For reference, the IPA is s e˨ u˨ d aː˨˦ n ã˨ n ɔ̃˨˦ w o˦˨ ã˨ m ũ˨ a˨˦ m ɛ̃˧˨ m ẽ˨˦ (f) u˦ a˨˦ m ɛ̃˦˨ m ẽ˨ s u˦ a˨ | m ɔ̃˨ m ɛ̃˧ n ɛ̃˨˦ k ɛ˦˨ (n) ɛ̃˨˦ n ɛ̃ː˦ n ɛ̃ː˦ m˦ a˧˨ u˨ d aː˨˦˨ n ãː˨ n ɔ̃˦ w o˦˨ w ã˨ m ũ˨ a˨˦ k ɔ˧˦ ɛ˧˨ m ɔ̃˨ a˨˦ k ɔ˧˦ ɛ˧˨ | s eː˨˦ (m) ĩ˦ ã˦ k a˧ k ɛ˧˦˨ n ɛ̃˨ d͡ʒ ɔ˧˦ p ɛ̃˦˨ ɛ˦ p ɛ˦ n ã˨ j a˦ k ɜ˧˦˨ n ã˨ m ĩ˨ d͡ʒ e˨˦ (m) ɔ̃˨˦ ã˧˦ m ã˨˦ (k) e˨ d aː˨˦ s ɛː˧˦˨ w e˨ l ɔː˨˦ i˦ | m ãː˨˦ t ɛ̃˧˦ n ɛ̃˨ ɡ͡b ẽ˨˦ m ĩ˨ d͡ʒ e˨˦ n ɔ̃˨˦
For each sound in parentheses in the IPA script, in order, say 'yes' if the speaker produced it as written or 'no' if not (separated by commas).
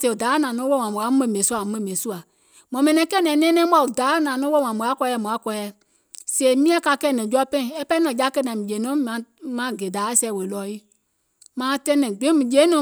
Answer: no, yes, yes, no, no